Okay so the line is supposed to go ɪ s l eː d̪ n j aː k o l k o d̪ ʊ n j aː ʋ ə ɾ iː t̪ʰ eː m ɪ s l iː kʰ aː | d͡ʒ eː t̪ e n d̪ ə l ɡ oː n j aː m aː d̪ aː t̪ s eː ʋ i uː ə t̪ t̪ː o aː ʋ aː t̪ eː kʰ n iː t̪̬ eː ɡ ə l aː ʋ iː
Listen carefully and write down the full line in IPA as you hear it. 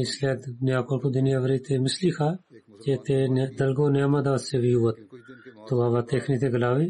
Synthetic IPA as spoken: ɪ s l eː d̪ n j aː k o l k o d̪ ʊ n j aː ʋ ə ɾ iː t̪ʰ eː m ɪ s l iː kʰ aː | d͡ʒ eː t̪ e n d̪ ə l ɡ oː n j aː m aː d̪ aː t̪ s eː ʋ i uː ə t̪ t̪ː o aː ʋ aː t̪ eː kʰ n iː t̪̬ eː ɡ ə l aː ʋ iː